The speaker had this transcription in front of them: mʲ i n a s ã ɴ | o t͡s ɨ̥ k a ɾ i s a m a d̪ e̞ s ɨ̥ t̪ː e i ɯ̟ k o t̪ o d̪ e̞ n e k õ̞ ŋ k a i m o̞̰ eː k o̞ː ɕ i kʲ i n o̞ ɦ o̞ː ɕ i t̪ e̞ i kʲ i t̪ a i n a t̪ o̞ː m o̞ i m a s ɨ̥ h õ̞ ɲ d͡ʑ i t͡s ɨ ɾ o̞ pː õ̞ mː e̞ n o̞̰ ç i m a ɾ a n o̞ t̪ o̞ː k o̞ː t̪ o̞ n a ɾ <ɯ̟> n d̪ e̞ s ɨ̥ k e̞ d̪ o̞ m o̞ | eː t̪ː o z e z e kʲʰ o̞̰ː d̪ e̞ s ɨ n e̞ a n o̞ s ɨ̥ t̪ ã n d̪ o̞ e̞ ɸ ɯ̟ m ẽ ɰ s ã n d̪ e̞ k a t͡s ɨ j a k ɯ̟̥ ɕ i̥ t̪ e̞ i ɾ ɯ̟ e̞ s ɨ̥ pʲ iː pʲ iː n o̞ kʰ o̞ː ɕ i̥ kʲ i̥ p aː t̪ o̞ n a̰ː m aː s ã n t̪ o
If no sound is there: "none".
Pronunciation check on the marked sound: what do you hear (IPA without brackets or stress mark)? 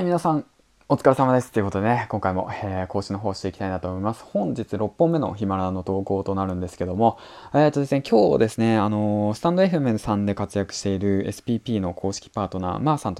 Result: ɯ̟̃